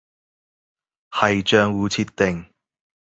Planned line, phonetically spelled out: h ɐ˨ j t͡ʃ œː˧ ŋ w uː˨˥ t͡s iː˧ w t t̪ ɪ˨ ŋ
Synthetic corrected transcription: h ɐ˨ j t͡ʃ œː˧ ŋ w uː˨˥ t͡sʰ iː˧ t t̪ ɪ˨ ŋ